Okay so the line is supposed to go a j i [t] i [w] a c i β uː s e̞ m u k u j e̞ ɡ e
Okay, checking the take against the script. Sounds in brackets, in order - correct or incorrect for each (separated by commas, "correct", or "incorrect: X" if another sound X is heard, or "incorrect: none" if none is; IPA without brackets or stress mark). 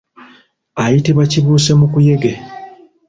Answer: correct, incorrect: β